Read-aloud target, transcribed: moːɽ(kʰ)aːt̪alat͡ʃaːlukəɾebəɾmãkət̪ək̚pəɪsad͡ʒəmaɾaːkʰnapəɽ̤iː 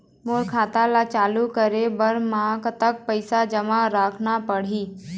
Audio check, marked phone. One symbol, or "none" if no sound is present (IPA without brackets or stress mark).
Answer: kʰ